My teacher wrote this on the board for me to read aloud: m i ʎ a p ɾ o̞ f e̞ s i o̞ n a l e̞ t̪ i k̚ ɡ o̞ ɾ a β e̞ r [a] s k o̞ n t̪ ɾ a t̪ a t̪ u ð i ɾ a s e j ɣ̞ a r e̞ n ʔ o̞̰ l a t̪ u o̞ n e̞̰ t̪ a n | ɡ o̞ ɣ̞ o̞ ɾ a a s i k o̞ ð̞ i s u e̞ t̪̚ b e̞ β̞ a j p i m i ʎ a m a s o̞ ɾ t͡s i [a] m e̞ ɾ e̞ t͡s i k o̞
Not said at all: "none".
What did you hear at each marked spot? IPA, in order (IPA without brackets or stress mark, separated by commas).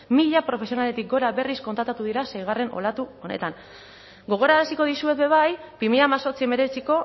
i, e